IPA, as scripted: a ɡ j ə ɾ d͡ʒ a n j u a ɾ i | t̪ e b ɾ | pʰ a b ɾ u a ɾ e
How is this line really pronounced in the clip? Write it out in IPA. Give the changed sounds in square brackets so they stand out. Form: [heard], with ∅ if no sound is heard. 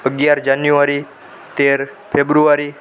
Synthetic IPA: [ə] ɡ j [a] ɾ d͡ʒ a n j u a ɾ i | t̪ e [∅] ɾ | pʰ [e] b ɾ u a ɾ [i]